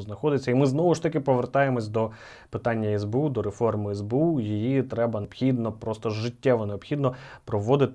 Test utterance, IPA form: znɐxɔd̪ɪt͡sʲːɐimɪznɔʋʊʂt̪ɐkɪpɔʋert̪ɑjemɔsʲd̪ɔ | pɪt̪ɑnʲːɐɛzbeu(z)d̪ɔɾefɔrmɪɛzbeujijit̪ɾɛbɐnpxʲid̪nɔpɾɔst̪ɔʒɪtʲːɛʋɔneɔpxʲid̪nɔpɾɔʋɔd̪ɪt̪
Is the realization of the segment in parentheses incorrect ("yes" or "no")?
yes